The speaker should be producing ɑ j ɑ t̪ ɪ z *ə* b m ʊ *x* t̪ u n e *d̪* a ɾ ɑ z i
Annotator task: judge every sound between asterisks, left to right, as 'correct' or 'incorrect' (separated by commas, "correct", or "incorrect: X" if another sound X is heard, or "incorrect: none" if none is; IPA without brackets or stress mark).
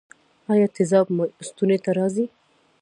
incorrect: ɑ, incorrect: s, incorrect: t̪